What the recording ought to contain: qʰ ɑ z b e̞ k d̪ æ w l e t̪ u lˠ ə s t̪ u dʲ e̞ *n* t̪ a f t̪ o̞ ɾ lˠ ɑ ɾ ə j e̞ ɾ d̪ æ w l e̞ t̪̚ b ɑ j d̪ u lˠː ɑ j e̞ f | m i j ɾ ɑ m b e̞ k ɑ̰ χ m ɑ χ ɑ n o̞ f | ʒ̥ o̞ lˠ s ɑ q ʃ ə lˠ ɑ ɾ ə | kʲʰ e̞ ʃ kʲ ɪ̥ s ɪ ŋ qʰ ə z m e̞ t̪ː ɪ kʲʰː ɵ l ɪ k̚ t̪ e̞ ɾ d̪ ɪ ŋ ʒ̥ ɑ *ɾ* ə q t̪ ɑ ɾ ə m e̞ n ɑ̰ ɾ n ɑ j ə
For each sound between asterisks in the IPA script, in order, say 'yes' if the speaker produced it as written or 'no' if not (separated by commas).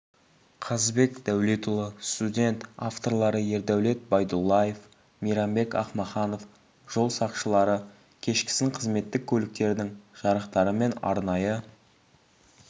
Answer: yes, yes